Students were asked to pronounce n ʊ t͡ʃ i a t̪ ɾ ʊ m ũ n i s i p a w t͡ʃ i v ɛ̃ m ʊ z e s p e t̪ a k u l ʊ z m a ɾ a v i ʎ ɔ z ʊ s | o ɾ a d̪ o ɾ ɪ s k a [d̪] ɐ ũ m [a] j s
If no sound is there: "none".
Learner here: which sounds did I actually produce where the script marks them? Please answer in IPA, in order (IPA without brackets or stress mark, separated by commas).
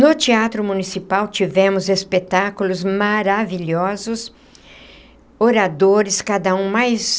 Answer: d̪, a